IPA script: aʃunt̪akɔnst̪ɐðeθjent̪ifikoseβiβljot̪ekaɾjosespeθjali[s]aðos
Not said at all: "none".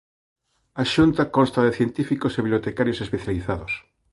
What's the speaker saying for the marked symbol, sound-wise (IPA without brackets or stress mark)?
θ